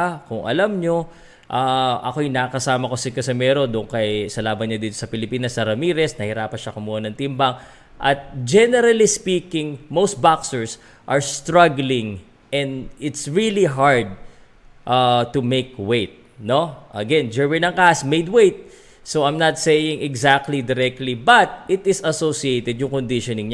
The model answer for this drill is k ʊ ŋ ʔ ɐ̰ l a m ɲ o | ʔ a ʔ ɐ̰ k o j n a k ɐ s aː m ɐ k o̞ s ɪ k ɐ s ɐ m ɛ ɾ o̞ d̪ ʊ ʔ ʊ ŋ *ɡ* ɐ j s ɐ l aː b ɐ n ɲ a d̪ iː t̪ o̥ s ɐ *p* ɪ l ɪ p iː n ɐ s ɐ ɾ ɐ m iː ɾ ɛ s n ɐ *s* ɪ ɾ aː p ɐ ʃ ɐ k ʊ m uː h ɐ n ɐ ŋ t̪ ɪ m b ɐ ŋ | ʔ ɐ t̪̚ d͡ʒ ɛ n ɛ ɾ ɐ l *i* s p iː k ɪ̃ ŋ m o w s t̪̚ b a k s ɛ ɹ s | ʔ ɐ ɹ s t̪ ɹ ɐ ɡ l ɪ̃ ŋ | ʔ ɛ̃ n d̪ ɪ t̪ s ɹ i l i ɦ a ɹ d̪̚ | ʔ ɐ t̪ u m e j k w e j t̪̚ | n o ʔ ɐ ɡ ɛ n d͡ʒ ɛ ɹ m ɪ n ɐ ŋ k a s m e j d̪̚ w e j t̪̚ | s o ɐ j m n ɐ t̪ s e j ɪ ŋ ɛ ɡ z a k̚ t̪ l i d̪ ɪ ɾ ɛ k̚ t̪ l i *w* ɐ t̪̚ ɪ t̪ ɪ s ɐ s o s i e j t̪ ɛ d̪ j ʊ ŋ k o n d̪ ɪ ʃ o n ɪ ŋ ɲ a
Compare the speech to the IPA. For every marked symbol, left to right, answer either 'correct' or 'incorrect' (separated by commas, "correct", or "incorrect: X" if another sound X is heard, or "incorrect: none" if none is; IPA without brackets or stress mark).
incorrect: k, correct, incorrect: h, correct, incorrect: b